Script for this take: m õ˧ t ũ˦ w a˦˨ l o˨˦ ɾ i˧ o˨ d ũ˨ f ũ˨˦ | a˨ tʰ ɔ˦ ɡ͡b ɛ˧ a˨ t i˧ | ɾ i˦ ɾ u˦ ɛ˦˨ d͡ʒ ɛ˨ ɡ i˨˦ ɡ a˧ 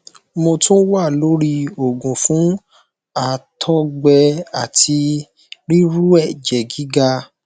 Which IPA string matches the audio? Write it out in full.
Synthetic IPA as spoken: m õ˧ t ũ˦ w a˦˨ l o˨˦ ɾ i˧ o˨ ɡ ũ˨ f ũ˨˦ | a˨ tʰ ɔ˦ ɡ͡b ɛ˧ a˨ t i˧ | ɾ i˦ ɾ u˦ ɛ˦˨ d͡ʒ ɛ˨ ɡ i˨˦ ɡ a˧

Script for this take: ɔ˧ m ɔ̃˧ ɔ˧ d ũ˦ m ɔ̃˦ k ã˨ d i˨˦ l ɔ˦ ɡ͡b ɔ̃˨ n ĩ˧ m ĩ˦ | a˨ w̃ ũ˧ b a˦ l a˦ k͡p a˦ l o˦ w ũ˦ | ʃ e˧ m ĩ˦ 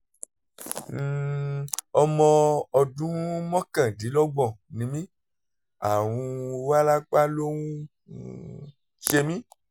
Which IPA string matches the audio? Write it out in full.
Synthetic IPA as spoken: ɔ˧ m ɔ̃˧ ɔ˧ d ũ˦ m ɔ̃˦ k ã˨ d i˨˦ l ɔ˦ ɡ͡b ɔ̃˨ n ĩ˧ m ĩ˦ | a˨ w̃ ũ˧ w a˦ l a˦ k͡p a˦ l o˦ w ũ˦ | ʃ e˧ m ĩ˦

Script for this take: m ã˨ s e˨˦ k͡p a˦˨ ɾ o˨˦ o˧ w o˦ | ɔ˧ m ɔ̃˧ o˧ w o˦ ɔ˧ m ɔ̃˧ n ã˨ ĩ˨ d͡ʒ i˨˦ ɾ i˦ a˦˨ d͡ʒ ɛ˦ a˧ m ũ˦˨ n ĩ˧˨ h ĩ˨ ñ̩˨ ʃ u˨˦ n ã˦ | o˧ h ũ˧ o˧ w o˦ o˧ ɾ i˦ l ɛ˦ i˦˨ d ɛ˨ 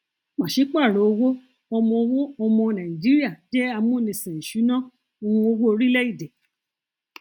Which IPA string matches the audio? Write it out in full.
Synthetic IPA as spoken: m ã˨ ʃ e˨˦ k͡p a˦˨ ɾ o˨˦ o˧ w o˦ | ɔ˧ m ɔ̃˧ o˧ w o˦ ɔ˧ m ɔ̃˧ n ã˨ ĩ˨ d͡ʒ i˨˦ ɾ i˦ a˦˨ d͡ʒ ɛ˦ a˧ m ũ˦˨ n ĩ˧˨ s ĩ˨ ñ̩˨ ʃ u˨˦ n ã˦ | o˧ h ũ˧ o˧ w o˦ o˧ ɾ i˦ l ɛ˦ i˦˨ d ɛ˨

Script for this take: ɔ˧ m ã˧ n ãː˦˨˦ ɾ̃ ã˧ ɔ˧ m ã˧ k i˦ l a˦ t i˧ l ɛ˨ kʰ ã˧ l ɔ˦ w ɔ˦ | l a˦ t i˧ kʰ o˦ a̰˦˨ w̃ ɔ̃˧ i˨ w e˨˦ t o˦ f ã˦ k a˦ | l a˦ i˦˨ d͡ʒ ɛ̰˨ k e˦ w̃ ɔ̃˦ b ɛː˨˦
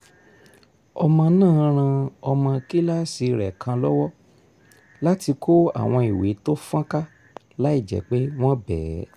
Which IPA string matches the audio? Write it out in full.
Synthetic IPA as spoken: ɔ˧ m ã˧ n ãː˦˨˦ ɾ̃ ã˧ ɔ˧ m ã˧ k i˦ l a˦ s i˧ ɾ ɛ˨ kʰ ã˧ l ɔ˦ w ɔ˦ | l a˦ t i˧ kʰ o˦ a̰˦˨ w̃ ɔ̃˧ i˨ w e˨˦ t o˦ f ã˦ k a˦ | l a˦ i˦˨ d͡ʒ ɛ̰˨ k͡p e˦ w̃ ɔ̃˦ b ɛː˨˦

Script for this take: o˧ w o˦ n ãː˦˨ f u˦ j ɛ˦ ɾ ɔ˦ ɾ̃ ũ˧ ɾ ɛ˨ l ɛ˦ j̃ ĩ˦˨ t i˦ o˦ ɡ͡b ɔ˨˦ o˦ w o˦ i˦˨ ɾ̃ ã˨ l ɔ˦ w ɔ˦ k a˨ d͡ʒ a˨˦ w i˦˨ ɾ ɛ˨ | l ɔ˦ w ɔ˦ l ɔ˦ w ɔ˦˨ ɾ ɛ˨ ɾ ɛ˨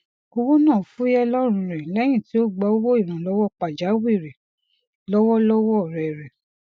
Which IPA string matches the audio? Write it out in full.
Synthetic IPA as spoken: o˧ w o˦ n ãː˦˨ f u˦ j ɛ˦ l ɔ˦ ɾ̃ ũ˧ ɾ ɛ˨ l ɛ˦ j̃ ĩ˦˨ t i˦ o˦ ɡ͡b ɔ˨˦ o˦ w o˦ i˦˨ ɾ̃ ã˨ l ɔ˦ w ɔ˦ k͡p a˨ d͡ʒ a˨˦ w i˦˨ ɾ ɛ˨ | l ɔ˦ w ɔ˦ l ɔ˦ w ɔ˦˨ ɾ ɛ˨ ɾ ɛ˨

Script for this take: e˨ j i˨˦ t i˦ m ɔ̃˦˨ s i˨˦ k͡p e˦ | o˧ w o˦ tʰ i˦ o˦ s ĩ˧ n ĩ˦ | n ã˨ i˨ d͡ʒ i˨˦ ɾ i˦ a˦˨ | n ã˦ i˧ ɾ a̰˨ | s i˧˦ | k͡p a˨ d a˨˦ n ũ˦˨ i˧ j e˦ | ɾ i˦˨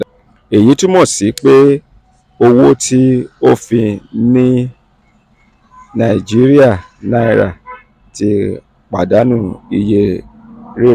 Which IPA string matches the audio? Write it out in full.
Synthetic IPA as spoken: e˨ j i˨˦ t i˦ m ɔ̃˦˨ s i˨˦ k͡p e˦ | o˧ w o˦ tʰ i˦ o˦ f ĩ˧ n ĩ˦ | n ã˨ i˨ d͡ʒ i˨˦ ɾ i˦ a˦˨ | n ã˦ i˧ ɾ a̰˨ | t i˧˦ | k͡p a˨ d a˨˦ n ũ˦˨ i˧ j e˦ | ɾ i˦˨

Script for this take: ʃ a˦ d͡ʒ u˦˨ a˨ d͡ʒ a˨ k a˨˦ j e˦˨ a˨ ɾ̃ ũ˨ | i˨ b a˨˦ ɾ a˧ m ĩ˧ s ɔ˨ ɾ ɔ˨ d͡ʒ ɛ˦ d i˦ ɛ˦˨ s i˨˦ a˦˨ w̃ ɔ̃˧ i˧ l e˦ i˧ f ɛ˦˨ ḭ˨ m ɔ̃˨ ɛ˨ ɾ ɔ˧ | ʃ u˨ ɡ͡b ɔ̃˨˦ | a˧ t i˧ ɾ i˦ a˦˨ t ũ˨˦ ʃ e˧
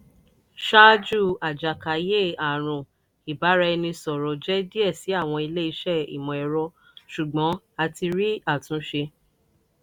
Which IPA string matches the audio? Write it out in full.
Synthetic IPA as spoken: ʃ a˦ d͡ʒ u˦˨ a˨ d͡ʒ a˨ k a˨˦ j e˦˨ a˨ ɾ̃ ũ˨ | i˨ b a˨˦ ɾ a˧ n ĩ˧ s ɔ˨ ɾ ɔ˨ d͡ʒ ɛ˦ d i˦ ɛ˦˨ s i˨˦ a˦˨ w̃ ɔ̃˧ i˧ l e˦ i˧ ʃ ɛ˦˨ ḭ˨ m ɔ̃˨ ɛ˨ ɾ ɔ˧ | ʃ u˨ ɡ͡b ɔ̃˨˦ | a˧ t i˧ ɾ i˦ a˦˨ t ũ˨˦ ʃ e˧

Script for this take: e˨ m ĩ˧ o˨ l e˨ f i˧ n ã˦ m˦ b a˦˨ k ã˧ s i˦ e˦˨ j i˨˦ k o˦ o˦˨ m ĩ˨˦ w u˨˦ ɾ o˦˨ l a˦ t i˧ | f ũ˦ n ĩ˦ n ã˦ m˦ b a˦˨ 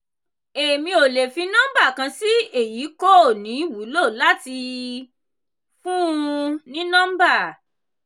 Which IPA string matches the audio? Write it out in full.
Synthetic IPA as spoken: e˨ m ĩ˧ o˨ l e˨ f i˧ n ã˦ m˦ b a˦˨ k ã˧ s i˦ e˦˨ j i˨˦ k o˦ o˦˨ n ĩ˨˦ w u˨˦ l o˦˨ l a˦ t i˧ | f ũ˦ n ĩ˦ n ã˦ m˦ b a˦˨

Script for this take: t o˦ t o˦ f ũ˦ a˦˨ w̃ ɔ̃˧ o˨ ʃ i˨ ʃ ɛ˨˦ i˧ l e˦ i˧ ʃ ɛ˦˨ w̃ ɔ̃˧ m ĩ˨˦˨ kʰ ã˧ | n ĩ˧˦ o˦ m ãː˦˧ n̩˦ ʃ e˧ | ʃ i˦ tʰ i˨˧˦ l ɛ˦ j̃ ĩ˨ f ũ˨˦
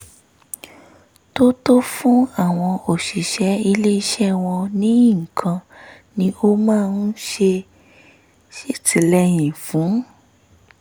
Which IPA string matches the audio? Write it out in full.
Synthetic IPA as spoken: t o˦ t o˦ f ũ˦ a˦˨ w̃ ɔ̃˧ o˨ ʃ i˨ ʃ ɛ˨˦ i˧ l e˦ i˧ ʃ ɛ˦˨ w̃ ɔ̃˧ n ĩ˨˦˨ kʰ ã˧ | n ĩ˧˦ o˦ m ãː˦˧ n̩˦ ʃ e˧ | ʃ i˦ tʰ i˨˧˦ l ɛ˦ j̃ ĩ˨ f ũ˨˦

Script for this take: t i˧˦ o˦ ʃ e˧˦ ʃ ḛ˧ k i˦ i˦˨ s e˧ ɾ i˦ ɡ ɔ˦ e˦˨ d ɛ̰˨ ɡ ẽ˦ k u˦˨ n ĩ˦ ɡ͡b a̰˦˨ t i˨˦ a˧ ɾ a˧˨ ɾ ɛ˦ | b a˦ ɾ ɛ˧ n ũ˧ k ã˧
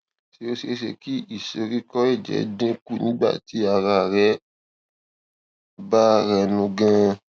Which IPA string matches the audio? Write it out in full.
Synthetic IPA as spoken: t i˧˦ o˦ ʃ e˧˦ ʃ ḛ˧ k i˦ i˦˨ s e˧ ɾ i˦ k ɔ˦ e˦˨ d͡ʒ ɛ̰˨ d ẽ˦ k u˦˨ n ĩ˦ ɡ͡b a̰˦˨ t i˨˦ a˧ ɾ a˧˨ ɾ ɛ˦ | b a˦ ɾ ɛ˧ n ũ˧ ɡ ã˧

